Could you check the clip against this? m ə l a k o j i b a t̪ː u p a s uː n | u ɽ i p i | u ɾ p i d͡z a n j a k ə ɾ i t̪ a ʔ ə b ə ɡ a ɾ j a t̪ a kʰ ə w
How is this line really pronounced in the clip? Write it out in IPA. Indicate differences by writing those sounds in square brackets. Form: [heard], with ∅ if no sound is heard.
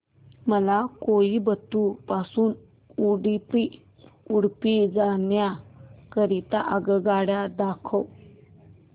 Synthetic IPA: m ə l a k o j i b [ə] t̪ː u p a s uː n | u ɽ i p i | u [ɽ] p i d͡z a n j a k ə ɾ i t̪ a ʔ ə [ɡ] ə ɡ a [ɽ] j a [d̪] a kʰ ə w

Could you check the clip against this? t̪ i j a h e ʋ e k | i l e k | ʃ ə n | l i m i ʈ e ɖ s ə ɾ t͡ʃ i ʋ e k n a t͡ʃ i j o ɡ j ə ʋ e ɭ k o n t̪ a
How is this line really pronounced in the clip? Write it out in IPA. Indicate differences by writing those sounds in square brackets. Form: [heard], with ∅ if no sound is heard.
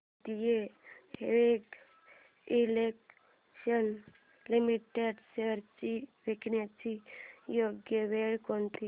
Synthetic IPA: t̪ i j [e] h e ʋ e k | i l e k | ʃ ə n | l i m i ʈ e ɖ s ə ɾ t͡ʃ i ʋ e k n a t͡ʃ i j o ɡ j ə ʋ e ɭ k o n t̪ [i]

